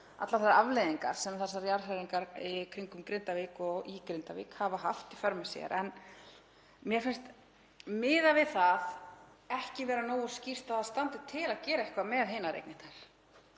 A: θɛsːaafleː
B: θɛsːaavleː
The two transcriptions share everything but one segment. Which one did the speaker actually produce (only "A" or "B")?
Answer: B